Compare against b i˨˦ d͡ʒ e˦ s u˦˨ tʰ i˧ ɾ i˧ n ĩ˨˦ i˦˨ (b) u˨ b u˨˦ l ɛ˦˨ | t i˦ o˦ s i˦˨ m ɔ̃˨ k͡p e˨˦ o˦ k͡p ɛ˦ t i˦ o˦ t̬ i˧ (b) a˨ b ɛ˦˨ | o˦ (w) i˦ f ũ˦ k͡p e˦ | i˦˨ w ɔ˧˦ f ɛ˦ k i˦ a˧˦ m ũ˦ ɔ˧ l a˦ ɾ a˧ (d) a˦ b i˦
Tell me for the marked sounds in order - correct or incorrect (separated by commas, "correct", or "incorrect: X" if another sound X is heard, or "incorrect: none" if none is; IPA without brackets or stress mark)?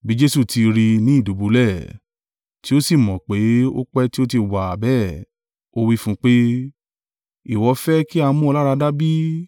incorrect: d, incorrect: w, correct, correct